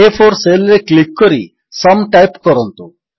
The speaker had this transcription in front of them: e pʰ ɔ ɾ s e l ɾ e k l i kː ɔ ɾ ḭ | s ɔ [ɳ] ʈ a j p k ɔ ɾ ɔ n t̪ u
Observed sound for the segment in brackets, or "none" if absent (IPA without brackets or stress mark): m